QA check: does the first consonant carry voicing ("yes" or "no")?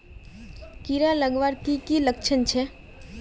no